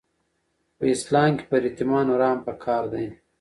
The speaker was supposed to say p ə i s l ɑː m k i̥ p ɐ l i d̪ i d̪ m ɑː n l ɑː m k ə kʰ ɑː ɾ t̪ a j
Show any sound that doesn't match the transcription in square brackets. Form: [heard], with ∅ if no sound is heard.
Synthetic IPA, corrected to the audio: p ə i s l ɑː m k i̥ p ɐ [ɾ] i [t̪] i [∅] m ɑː n [ɾ] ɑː m [p] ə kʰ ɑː ɾ [d̪] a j